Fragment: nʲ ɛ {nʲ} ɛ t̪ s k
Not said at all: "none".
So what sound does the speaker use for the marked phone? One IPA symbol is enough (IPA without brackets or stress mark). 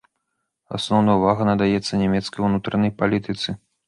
mʲ